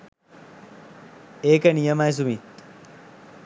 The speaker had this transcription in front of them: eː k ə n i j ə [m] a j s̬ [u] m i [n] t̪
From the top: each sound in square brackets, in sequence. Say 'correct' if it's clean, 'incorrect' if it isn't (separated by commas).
correct, correct, incorrect